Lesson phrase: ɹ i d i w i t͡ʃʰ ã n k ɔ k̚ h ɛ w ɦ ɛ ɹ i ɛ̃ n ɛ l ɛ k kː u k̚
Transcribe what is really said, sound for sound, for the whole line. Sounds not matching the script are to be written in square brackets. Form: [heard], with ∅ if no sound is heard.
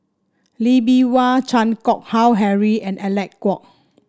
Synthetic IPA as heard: [l] i [b] i w [a] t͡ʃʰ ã n k ɔ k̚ h [a] w ɦ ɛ ɹ i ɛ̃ n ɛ l ɛ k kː [ɔ] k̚